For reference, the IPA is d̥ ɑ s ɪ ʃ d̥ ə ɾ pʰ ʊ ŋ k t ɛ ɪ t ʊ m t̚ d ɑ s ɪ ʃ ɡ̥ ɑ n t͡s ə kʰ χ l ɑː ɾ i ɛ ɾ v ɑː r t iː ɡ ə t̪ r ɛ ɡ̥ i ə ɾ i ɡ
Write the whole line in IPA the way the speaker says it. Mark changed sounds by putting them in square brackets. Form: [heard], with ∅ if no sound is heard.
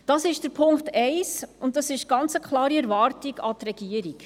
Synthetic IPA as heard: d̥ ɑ s ɪ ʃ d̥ ə ɾ pʰ ʊ ŋ k t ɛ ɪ [s] ʊ [n] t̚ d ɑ s ɪ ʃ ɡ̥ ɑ n t͡s ə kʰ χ l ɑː ɾ i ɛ ɾ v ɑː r t [i] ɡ [ɑ] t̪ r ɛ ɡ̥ i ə ɾ i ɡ